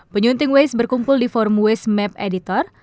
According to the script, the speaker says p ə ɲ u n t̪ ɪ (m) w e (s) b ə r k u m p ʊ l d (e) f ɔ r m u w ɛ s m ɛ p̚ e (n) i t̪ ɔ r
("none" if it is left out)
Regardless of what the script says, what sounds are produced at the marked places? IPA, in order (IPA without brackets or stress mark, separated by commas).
ŋ, s, i, d